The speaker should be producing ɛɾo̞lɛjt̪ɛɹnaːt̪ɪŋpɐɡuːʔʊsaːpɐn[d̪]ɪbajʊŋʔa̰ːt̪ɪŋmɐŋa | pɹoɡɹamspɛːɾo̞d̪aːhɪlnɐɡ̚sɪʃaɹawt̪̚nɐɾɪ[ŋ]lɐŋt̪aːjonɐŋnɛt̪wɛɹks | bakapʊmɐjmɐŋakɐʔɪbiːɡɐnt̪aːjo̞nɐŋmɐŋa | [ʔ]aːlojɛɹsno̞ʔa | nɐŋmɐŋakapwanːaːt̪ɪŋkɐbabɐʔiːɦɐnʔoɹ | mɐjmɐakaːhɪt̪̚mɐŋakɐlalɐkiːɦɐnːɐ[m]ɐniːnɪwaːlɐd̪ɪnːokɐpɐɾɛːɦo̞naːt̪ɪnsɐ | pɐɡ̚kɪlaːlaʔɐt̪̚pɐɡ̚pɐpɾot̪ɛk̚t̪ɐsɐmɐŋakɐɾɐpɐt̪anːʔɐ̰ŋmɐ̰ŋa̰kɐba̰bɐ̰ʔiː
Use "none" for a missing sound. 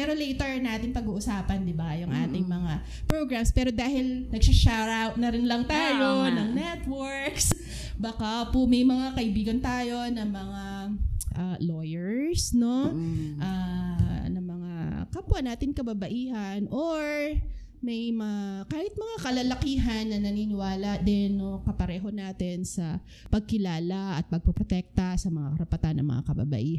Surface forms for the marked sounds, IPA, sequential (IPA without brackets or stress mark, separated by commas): d̪, n, ʔ, n